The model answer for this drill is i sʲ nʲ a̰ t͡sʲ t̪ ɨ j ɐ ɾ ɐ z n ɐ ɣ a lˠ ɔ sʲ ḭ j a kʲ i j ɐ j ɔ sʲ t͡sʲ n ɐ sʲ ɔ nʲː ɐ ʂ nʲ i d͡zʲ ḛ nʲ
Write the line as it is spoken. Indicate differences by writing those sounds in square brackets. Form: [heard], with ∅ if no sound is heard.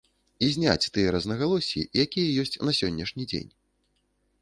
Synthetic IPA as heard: i [zʲ] nʲ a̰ t͡sʲ t̪ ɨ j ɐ ɾ ɐ z n ɐ ɣ a lˠ ɔ sʲ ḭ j a kʲ i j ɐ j ɔ sʲ t͡sʲ n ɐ sʲ ɔ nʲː ɐ ʂ nʲ i d͡zʲ ḛ nʲ